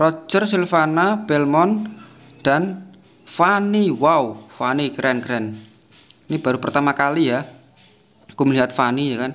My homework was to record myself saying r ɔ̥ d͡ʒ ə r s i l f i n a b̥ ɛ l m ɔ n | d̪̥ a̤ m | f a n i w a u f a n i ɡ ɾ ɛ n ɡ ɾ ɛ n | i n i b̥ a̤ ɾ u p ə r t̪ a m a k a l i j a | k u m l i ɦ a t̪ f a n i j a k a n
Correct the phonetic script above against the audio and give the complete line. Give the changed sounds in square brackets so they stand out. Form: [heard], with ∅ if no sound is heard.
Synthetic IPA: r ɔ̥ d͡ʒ ə r s i l f [a] n a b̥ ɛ l m ɔ n | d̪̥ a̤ [n] | f a n i w a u f a n i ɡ ɾ ɛ n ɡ ɾ ɛ n | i n i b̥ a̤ ɾ u p ə r t̪ a m a k a l i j a | k u m l i ɦ a t̪ f a n i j a k a n

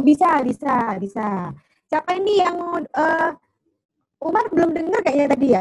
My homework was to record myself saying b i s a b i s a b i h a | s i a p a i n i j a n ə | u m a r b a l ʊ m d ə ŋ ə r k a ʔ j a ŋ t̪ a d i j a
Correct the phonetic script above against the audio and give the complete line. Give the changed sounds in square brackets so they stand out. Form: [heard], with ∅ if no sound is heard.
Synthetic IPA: b i s a b i s a b i [s] a | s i a p a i n i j a [ŋ] ə | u m a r b [ə] l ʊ m d ə ŋ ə r k a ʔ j a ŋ t̪ a d i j a

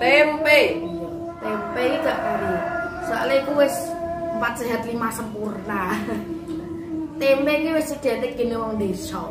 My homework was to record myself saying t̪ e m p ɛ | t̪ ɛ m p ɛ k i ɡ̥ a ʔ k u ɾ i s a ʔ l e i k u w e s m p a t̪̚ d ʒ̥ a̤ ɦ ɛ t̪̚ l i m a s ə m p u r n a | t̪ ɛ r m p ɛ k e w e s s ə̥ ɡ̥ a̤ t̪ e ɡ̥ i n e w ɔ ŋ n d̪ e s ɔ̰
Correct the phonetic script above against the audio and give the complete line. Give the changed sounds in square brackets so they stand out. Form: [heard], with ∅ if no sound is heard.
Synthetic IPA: t̪ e m p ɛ | t̪ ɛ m p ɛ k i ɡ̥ a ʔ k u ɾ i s a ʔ l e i k u w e s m p a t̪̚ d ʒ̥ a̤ ɦ [a] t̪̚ l i m a s ə m p u r n a | t̪ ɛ [∅] m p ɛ k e w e s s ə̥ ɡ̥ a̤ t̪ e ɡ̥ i n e w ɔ ŋ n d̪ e s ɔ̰

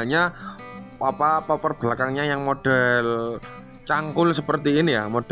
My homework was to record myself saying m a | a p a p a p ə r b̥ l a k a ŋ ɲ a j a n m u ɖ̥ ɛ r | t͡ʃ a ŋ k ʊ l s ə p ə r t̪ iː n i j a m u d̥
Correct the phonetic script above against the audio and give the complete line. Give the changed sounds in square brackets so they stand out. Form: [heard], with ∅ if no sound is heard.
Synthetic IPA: [ɲ] a | a p a p a p ə r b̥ l a k a ŋ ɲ a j a [ŋ] m [o] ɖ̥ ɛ [l] | t͡ʃ a ŋ k ʊ l s ə p ə r t̪ iː n i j a m [o] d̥

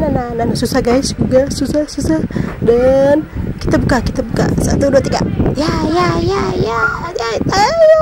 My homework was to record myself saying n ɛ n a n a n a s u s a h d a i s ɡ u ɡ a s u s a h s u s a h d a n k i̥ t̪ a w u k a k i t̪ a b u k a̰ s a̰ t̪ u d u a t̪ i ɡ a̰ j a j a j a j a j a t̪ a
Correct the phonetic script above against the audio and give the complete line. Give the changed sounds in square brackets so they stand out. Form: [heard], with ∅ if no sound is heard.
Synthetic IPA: n [a] n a n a n a s u s a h [ɡ] a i s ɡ u ɡ a s u s a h s u s a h d a n k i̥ t̪ a [b] u k a k i t̪ a b u k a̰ s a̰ t̪ u d u a t̪ i ɡ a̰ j a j a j a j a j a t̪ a

